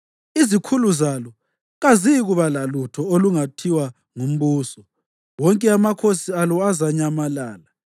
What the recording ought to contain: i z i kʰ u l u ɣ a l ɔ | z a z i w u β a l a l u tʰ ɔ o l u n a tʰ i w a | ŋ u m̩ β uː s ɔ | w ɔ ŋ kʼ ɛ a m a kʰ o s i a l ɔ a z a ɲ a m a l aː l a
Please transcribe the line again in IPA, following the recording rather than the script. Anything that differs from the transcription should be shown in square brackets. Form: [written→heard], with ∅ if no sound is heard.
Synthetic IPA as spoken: i z i kʰ u l u [ɣ→z] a l ɔ | [z→ɣ] a z i [w→ɣ] u β a l a l u tʰ ɔ o l u [n→ŋ] a tʰ i w a | ŋ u m̩ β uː s ɔ | w ɔ ŋ kʼ ɛ a m a kʰ o s i a l ɔ a z a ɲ a m a l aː l a

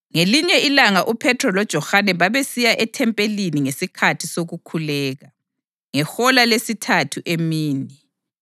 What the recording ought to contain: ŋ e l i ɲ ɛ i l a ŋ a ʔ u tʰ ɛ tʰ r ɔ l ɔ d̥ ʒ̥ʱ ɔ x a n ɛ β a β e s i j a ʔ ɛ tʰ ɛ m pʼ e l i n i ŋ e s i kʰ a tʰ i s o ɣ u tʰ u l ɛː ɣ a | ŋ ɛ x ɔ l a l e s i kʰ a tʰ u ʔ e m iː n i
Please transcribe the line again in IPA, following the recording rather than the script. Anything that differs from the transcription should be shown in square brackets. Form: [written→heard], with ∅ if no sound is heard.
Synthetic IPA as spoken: ŋ e l i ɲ ɛ i l a ŋ a ʔ u [tʰ→pʰ] ɛ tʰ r ɔ l ɔ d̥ ʒ̥ʱ ɔ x a n ɛ β a β e s i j a ʔ ɛ tʰ ɛ m pʼ e l i n i ŋ e s i kʰ a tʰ i s o ɣ u [tʰ→kʰ] u l ɛː ɣ a | ŋ ɛ x ɔ l a l e s i [kʰ→tʰ] a tʰ u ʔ e m iː n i

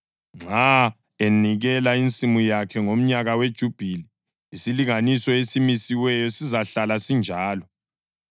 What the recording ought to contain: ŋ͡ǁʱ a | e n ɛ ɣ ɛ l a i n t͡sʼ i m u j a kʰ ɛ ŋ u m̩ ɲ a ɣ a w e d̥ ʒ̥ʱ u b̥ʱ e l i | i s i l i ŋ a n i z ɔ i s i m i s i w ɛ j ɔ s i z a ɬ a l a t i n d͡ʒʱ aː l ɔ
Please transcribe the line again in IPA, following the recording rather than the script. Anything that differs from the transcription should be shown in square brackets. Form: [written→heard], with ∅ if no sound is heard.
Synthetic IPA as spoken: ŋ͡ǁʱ a | e n [ɛ→i] ɣ ɛ l a i n t͡sʼ i m u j a kʰ ɛ ŋ [u→o] m̩ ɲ a ɣ a w e d̥ ʒ̥ʱ u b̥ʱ [e→i] l i | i s i l i ŋ a n i [z→s] ɔ [i→e] s i m i s i w ɛ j ɔ s i z a ɬ a l a [t→s] i n d͡ʒʱ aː l ɔ

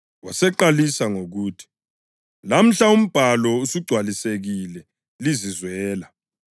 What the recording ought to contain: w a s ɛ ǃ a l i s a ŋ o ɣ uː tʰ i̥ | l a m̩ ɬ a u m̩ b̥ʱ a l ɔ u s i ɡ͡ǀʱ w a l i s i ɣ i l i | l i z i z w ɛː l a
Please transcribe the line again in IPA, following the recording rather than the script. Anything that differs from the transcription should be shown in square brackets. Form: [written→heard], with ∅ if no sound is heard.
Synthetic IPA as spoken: w a s ɛ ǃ a l i s a ŋ o ɣ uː tʰ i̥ | l a m̩ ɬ a u m̩ b̥ʱ a l ɔ u s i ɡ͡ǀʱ w a l i s [i→e] ɣ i l [i→ɛ] | l i z i z w ɛː l a

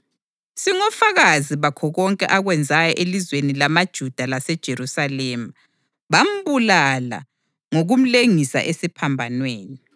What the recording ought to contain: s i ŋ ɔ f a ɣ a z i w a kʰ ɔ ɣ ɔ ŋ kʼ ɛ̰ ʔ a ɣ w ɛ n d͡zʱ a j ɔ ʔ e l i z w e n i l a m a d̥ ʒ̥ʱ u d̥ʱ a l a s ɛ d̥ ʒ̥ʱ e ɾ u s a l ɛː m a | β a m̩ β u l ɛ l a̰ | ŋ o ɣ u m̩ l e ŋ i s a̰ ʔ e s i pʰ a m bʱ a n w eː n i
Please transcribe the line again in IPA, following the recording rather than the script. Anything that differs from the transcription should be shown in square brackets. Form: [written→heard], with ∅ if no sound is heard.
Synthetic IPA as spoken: s i ŋ ɔ f a ɣ a z i [w→β] a kʰ ɔ ɣ ɔ ŋ kʼ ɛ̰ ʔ a ɣ w ɛ n d͡zʱ a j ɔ ʔ e l i z w e n i l a m a d̥ ʒ̥ʱ u d̥ʱ a l a s ɛ d̥ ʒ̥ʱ e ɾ u s a l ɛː m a | β a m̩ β u l [ɛ→a] l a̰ | ŋ o ɣ u m̩ l e ŋ i s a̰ ʔ e s i pʰ a m bʱ a n w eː n i

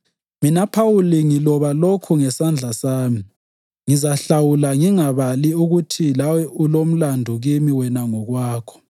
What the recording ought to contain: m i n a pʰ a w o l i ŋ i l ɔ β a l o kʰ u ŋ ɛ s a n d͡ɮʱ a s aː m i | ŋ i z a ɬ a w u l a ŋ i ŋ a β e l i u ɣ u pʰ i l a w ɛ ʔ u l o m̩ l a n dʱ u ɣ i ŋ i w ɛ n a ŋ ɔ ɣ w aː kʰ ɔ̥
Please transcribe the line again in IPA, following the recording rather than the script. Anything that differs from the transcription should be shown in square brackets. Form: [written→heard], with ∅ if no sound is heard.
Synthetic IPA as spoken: m i n a pʰ a w [o→u] l i ŋ i l ɔ β a l o kʰ u ŋ ɛ s a n d͡ɮʱ a s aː m i | ŋ i z a ɬ a w u l a ŋ i ŋ a β [e→a] l i u ɣ u [pʰ→tʰ] i l a w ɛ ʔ u l o m̩ l a n dʱ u ɣ i [ŋ→m] i w ɛ n a ŋ ɔ ɣ w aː kʰ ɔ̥

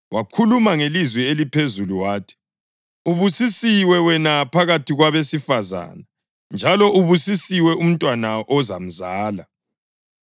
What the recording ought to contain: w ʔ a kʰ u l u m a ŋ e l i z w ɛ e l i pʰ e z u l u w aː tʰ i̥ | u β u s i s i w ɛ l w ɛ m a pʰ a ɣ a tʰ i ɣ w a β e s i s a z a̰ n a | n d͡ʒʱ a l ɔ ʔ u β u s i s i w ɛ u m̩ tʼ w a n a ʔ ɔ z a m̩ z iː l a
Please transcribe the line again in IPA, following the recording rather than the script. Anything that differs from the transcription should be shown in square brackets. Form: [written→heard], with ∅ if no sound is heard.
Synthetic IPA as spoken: w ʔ a kʰ u l u m a ŋ e l i z w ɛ e l i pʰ e z u l u w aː tʰ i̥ | u β u s i s i w ɛ [l→∅] w ɛ [m→n] a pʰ a ɣ a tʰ i ɣ w a β e s i [s→f] a z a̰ n a | n d͡ʒʱ a l ɔ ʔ u β u s i s i w ɛ u m̩ tʼ w a n a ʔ ɔ z a m̩ z [iː→aː] l a

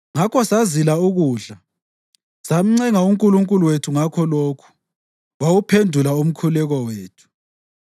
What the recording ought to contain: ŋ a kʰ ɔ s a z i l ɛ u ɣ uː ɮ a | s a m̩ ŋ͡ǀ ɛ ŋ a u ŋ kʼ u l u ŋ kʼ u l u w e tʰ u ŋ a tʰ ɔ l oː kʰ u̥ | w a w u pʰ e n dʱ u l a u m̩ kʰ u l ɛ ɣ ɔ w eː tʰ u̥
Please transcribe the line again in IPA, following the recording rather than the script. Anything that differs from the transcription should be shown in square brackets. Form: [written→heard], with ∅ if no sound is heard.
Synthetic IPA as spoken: ŋ a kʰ ɔ s a z i l [ɛ→a] u ɣ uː ɮ a | s a m̩ ŋ͡ǀ ɛ ŋ a u ŋ kʼ u l u ŋ kʼ u l u w e tʰ u ŋ a [tʰ→kʰ] ɔ l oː kʰ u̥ | w a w u pʰ e n dʱ u l a u m̩ kʰ u l ɛ ɣ ɔ w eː tʰ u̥

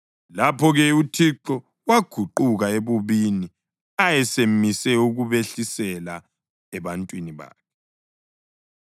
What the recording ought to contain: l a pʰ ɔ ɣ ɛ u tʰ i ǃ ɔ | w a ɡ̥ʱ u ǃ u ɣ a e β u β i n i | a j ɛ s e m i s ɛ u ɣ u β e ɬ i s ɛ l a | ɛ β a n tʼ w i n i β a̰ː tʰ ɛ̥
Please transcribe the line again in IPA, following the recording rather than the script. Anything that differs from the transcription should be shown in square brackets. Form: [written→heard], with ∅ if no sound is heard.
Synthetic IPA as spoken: l a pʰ ɔ ɣ ɛ u tʰ i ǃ ɔ | w a ɡ̥ʱ u ǃ u ɣ a e β u β i n i | a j ɛ s e m i s ɛ u ɣ u β e ɬ i s ɛ l a | ɛ β a n tʼ w i n i β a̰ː [tʰ→kʰ] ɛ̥

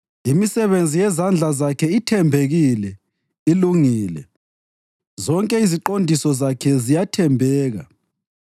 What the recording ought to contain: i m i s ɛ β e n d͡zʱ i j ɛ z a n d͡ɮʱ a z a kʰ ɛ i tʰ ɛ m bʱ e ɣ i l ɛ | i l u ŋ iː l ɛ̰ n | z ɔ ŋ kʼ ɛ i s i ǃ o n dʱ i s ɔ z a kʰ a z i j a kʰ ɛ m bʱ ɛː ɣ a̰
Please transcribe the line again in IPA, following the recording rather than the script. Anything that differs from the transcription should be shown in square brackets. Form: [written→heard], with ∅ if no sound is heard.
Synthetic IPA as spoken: i m i s ɛ β e n d͡zʱ i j ɛ z a n d͡ɮʱ a z a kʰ ɛ i tʰ ɛ m bʱ e ɣ i l ɛ | i l u ŋ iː l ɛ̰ [n→∅] | z ɔ ŋ kʼ ɛ i [s→z] i ǃ o n dʱ i s ɔ z a kʰ [a→ɛ] z i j a [kʰ→tʰ] ɛ m bʱ ɛː ɣ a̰

